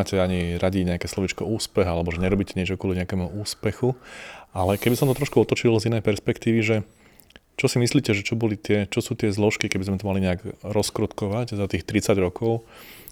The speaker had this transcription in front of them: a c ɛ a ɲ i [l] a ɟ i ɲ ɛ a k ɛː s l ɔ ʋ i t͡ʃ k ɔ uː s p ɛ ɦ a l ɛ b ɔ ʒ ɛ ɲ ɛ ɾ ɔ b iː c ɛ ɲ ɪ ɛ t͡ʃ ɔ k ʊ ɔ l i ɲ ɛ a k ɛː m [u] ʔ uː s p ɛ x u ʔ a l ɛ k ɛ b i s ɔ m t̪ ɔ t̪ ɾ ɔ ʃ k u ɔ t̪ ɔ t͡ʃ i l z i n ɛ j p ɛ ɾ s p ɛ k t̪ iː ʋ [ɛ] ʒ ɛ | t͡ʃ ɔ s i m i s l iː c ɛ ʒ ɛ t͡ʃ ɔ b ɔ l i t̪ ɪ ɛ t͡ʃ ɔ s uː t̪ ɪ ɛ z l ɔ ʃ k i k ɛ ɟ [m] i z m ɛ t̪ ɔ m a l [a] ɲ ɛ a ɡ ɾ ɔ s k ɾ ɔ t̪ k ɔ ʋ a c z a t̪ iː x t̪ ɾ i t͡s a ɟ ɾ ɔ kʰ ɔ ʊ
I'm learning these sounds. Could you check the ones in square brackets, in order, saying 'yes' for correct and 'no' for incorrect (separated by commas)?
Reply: no, yes, no, no, no